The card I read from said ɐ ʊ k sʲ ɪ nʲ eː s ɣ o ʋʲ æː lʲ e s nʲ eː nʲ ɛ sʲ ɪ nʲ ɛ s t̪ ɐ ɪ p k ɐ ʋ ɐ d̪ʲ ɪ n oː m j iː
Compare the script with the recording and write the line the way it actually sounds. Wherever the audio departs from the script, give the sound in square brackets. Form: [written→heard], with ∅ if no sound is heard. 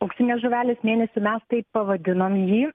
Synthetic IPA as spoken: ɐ ʊ k sʲ ɪ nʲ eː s [ɣ→ʒ] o ʋʲ æː lʲ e s [nʲ→mʲ] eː nʲ ɛ sʲ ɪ [nʲ→mʲ] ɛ s t̪ ɐ ɪ p [k→p] ɐ ʋ ɐ d̪ʲ ɪ n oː m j iː